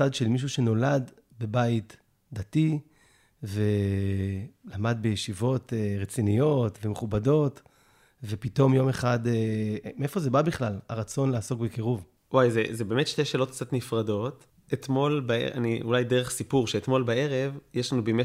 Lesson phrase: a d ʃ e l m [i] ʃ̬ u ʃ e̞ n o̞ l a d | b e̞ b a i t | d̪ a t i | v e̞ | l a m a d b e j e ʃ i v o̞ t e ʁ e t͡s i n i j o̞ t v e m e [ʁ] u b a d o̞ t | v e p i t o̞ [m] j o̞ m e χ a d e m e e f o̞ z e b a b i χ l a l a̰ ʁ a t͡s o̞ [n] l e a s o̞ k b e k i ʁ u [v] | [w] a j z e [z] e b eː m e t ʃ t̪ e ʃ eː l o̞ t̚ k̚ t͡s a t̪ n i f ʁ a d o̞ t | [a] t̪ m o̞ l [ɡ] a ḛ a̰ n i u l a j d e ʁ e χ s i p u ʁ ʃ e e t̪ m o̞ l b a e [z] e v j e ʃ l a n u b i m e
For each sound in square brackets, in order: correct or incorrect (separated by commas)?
correct, incorrect, correct, correct, correct, correct, correct, incorrect, incorrect, incorrect